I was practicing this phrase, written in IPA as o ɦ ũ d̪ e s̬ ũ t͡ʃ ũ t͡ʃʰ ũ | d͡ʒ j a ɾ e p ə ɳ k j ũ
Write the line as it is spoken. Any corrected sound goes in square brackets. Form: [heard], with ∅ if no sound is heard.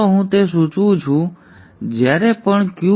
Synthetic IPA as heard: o ɦ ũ [t̪] e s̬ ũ t͡ʃ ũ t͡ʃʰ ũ | d͡ʒ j a ɾ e p ə ɳ k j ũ